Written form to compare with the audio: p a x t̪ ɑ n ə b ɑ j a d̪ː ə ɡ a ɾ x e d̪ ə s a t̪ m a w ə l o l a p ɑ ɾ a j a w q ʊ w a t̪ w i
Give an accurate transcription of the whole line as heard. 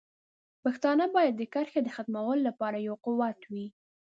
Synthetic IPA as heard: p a x t̪ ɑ n ə b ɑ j a d̪ː ə k a ɾ x e d̪ ə x a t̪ m a w ə l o l a p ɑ ɾ a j a w q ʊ w a t̪ w i

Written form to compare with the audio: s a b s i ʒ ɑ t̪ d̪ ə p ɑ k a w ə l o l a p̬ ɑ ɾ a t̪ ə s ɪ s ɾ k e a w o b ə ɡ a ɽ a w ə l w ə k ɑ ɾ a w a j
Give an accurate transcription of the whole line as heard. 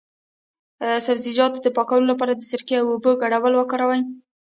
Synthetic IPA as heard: s a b z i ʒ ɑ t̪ d̪ ə p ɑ k a w ə l o l a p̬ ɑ ɾ a d̪ ə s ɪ ɾ k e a w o b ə ɡ a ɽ a w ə l w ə k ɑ ɾ a w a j

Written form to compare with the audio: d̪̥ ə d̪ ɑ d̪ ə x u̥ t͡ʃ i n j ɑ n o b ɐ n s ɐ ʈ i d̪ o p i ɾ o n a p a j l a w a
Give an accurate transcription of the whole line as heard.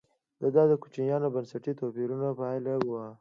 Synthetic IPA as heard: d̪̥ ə d̪ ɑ d̪ ə k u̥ t͡ʃ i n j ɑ n o b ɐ n s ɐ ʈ i t̪ o p i ɾ u n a p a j l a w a

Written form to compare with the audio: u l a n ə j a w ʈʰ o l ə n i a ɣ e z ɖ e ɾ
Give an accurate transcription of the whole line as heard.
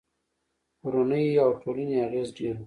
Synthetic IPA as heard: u ɾ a n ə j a w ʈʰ o l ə n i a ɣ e z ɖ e ɾ

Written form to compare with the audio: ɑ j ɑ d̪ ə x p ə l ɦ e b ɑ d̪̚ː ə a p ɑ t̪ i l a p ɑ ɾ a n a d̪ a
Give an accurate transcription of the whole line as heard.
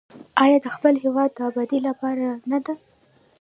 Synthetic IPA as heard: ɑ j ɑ d̪ ə x p ə l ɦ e w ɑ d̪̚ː ə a b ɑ d̪ i l a p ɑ ɾ a n a d̪ a

